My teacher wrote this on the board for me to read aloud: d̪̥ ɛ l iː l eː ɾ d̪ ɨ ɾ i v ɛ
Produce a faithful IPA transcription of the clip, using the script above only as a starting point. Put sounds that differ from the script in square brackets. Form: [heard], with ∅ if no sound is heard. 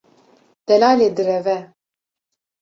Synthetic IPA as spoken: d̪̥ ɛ l [aː] l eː [∅] d̪ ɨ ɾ [ɛ] v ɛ